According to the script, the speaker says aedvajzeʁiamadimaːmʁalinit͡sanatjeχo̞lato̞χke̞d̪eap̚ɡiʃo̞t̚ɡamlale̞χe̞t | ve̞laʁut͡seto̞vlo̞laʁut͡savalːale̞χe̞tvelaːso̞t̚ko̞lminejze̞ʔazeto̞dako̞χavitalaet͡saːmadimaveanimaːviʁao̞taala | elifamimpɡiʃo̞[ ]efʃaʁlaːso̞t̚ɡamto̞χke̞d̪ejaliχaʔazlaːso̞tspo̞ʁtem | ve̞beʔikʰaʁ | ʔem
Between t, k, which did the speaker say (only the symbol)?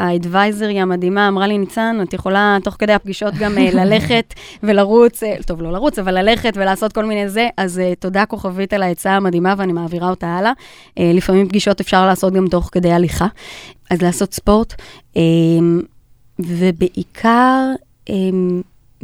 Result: t